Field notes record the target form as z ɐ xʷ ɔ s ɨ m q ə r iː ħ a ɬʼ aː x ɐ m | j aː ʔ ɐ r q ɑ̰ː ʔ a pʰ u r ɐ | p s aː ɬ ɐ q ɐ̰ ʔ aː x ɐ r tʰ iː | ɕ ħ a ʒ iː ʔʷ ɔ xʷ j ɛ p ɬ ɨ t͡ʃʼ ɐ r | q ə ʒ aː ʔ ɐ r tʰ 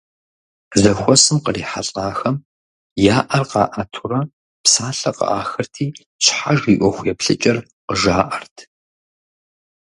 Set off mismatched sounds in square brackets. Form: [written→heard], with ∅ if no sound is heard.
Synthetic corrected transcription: z ɐ xʷ ɔ s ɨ m q ə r iː ħ a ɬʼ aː x ɐ m | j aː ʔ ɐ r q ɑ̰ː ʔ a [pʰ→tʰ] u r ɐ | p s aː ɬ ɐ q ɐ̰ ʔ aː x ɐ r tʰ iː | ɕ ħ a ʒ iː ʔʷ ɔ xʷ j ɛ p ɬ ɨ t͡ʃʼ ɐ r | q ə ʒ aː ʔ ɐ r tʰ